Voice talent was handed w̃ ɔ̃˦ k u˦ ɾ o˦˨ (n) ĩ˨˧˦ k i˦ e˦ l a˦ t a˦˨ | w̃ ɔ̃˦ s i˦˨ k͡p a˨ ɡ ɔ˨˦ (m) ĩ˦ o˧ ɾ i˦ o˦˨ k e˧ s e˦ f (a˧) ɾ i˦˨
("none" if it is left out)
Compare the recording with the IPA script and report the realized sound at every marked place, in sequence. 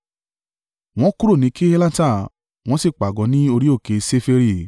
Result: n, n, e˧

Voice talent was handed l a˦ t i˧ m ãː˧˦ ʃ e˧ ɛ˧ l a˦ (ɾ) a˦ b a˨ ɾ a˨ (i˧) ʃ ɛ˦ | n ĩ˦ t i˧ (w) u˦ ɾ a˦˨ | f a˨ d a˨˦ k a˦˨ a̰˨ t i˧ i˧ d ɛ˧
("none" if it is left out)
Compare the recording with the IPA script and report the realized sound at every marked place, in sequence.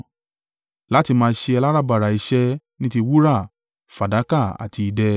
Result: ɾ, i˧, w

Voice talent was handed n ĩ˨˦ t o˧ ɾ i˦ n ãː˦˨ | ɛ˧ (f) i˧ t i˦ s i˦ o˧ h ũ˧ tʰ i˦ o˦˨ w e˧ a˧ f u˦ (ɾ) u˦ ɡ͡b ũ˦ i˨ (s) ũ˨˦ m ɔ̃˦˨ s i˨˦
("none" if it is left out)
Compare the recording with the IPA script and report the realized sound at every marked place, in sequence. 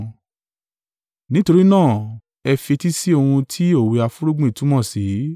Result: f, ɾ, t

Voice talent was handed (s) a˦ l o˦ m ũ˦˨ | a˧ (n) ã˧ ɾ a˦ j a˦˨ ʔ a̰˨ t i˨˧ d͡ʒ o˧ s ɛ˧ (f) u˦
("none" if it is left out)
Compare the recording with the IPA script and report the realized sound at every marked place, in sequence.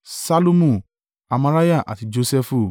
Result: s, m, f

